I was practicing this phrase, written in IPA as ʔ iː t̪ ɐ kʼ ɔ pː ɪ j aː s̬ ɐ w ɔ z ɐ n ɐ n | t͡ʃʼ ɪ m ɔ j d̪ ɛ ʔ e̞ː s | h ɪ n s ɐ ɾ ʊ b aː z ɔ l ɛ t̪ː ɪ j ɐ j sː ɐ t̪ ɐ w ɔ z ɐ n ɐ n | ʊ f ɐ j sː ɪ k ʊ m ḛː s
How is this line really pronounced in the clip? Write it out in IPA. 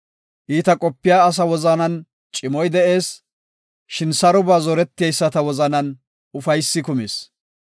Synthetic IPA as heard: ʔ iː t̪ ɐ kʼ ɔ pː ɪ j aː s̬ ɐ w ɔ z ɐ n ɐ n | t͡ʃʼ ɪ m ɔ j d̪ ɛ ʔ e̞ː s | ʃ ɪ n s ɐ ɾ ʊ b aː z ɔ ɾ ɛ t̪ː ɪ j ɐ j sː ɐ t̪ ɐ w ɔ z ɐ n ɐ n | ʊ f ɐ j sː ɪ k ʊ m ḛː s

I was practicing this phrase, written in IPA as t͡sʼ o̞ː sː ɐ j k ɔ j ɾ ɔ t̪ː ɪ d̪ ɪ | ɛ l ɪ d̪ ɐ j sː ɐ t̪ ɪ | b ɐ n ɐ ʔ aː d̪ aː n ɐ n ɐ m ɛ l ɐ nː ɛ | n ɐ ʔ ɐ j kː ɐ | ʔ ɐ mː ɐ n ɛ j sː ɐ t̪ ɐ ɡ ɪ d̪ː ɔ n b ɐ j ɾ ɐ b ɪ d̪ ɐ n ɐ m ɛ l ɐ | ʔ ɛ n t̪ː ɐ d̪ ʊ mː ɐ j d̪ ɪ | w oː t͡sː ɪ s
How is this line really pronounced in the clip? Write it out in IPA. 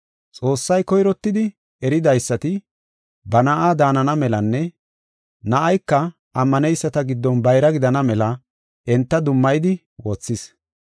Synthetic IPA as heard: t͡sʼ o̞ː sː ɐ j k ɔ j ɾ ɔ t̪ː ɪ d̪ ɪ | ɛ ɾ ɪ d̪ ɐ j sː ɐ t̪ ɪ | b ɐ n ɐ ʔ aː d̪ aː n ɐ n ɐ m ɛ l ɐ nː ɛ | n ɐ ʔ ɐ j kː ɐ | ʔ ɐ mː ɐ n ɛ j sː ɐ t̪ ɐ ɡ ɪ d̪ː ɔ n b ɐ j ɾ ɐ ɡ ɪ d̪ ɐ n ɐ m ɛ l ɐ | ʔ ɛ n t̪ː ɐ d̪ ʊ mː ɐ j d̪ ɪ | w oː t͡sː ɪ s

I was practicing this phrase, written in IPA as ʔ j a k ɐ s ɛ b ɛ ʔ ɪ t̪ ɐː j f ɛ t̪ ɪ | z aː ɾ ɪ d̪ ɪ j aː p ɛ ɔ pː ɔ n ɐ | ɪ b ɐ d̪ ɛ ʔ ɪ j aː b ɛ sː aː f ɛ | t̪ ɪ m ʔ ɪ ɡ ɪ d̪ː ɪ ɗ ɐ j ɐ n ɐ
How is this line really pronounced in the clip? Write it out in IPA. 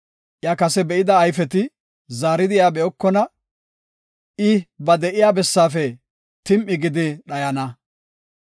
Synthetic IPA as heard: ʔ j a k ɐ s ɛ b ɛ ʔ ɪ d̪ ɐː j f ɛ t̪ ɪ | z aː ɾ ɪ d̪ ɪ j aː b ɛ ɔ kː ɔ n ɐ | ɪ b ɐ d̪ ɛ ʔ ɪ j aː b ɛ sː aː f ɛ | t̪ ɪ m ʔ ɪ ɡ ɪ d̪ ɪ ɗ ɐ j ɐ n ɐ

